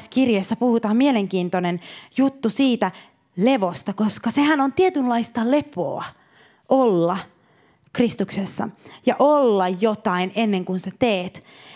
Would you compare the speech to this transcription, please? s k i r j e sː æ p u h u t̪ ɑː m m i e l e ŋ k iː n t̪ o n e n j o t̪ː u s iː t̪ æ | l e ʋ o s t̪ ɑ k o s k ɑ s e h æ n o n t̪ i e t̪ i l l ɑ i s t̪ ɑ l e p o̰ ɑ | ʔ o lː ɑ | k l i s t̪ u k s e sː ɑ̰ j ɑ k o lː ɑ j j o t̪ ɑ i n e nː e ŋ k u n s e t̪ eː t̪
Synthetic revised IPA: s k i r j e sː æ p u h u t̪ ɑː m m i e l e ŋ k iː n t̪ o n e n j u t̪ː u s iː t̪ æ | l e ʋ o s t̪ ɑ k o s k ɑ s e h æ n o n t̪ i e t̪ y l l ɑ i s t̪ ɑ l e p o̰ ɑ | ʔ o lː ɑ | k r i s t̪ u k s e sː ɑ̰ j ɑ ʔ o lː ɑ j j o t̪ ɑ i n e nː e ŋ k u n s e t̪ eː t̪